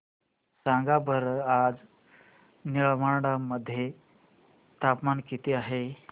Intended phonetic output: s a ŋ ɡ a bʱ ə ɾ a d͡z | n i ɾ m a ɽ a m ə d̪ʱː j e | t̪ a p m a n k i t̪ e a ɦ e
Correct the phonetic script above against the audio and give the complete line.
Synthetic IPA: s a ŋ ɡ a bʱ ə ɾ a d͡z | n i ɭ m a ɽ a m ə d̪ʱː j e | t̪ a p m a n k i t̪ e a ɦ e